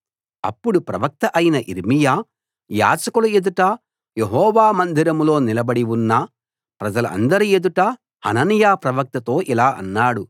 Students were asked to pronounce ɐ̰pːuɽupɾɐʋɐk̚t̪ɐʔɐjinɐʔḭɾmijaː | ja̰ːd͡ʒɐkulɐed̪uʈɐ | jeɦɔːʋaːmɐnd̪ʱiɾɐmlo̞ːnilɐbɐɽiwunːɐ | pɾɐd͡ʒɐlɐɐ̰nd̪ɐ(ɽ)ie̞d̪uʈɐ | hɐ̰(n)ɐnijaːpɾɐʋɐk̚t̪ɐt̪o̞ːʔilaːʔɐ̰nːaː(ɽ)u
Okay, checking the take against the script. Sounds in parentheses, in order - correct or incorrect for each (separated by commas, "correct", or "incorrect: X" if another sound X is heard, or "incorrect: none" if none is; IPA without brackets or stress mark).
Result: incorrect: ɾ, correct, correct